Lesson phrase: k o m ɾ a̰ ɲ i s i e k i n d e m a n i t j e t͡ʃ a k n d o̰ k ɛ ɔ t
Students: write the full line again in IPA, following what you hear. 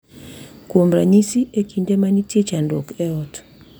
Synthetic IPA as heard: k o m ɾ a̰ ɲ i s i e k i n d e m a n i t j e t͡ʃ a n d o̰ k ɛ ɔ t